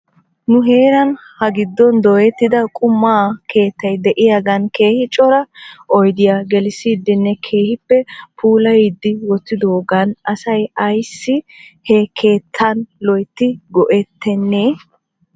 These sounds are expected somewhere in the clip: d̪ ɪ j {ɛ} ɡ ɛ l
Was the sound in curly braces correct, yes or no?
no